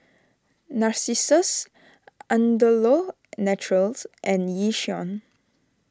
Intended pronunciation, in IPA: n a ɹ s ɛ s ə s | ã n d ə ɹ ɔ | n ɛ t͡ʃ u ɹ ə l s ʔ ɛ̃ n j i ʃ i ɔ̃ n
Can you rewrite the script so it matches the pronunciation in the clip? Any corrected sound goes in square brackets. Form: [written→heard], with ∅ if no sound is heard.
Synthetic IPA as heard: n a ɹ s [ɛ→i] s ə s | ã n d ə [ɹ→l] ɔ | n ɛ t͡ʃ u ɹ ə l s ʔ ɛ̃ n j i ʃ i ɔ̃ n